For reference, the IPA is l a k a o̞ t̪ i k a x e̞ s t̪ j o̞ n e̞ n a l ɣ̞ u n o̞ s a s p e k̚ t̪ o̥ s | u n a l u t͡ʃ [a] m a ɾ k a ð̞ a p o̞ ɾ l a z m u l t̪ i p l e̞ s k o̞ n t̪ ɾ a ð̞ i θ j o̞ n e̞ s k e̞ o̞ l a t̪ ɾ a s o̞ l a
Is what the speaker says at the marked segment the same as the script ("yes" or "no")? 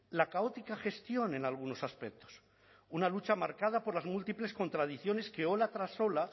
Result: yes